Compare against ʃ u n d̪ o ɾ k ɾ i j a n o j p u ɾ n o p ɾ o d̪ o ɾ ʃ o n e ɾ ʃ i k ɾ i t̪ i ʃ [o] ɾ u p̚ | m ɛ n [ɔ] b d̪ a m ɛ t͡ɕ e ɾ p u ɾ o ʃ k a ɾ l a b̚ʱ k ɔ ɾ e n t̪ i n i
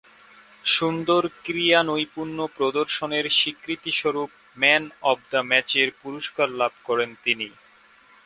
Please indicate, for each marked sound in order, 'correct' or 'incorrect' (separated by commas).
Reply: correct, correct